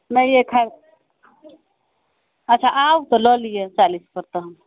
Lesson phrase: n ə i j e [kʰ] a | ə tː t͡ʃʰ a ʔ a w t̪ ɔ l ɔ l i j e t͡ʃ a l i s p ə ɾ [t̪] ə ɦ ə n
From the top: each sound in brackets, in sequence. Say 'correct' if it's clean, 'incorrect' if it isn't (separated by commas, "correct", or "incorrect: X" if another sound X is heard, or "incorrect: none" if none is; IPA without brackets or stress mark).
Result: correct, correct